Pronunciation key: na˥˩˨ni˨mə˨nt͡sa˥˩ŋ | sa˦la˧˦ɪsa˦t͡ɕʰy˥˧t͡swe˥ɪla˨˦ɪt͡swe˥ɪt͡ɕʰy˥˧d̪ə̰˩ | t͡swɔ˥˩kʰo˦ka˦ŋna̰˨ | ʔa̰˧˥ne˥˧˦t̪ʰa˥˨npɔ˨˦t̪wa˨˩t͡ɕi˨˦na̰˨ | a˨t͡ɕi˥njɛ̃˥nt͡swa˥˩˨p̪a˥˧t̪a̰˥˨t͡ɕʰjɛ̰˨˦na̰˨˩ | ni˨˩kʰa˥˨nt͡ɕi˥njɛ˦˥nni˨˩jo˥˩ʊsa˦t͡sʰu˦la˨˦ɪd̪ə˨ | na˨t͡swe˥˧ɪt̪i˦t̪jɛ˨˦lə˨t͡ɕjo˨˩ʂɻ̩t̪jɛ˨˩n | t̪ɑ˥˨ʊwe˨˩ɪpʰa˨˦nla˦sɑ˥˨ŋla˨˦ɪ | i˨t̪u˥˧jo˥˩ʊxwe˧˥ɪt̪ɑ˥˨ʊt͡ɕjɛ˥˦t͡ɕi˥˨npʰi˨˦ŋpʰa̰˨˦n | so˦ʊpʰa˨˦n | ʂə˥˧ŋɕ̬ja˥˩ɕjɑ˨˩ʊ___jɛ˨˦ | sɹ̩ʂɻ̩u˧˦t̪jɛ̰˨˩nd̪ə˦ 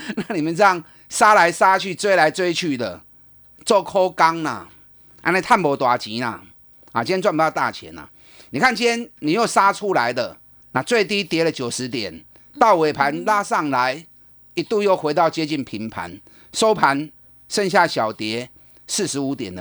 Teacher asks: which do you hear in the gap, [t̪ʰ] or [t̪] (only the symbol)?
t̪